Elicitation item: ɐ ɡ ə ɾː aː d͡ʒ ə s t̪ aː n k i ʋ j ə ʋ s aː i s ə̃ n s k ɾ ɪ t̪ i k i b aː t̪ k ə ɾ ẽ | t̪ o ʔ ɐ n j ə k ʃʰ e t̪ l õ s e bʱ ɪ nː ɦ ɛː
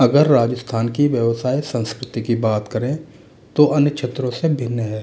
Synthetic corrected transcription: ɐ ɡ ə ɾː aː d͡ʒ ə s t̪ʰ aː n k i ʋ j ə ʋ s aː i s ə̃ n s k ɾ ɪ t̪ i k i b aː t̪ k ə ɾ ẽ | t̪ o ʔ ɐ n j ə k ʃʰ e t̪ ɾ õ s e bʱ ɪ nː ɦ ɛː